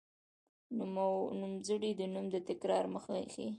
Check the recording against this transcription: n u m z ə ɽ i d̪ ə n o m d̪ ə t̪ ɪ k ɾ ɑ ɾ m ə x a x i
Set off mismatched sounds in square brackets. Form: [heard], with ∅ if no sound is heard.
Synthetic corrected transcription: n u m z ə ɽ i d̪ ə n [u] m d̪ ə t̪ ɪ k ɾ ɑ ɾ m ə x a x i